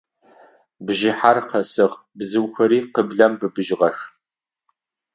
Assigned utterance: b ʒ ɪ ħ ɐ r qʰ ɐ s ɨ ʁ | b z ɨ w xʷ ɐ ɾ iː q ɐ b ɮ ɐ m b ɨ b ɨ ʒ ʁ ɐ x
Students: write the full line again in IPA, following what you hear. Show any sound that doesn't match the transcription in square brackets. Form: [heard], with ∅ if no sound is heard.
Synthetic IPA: b ʒ ɪ ħ [a] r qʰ ɐ s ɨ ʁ | b z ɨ w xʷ ɐ ɾ iː q [ə] b ɮ ɐ m b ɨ b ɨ ʒ ʁ ɐ x